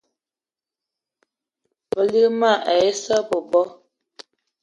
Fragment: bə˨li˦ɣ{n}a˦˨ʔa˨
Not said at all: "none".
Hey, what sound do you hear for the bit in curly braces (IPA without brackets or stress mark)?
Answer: m